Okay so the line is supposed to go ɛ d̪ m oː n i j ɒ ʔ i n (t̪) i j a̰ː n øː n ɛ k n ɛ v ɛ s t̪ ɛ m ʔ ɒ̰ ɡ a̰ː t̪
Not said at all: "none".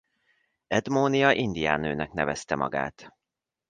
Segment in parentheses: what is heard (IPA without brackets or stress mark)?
d̪